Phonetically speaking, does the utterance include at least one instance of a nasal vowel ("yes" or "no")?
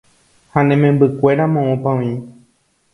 yes